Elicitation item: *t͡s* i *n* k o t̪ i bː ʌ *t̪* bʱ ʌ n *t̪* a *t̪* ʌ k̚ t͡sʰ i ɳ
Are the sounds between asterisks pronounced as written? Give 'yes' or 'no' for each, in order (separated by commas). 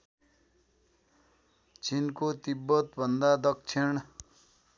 yes, yes, yes, no, no